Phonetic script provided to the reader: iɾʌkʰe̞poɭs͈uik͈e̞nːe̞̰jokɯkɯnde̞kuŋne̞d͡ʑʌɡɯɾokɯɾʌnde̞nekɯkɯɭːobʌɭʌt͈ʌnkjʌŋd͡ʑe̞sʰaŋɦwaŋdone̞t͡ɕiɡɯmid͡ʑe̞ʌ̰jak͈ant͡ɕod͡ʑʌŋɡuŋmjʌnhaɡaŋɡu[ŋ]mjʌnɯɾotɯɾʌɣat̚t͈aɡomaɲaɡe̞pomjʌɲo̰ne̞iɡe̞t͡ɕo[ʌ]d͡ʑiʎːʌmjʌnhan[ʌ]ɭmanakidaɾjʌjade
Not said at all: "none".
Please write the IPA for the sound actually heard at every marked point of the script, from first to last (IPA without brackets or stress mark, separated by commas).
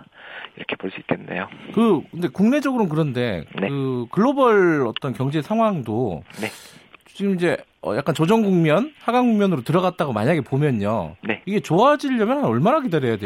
ŋ, a, ʌ